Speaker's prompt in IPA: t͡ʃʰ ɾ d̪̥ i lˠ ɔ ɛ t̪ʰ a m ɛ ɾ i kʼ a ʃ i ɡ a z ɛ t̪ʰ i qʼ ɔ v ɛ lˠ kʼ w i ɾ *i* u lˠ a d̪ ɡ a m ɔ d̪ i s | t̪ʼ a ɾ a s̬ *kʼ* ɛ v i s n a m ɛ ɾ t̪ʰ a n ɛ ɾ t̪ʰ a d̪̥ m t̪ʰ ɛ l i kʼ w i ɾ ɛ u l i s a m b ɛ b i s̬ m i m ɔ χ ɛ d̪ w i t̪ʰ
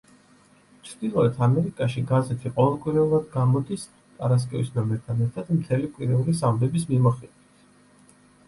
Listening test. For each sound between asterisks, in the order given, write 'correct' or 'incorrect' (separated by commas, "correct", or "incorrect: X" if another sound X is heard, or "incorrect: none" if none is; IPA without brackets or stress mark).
incorrect: ɛ, correct